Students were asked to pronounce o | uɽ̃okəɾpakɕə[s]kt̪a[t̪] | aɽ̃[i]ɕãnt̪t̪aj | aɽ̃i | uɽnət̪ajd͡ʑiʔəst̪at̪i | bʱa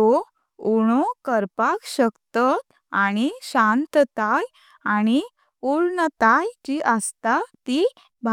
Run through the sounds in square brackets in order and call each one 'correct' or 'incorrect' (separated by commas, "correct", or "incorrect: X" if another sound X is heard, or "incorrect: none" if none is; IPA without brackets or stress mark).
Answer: incorrect: none, correct, correct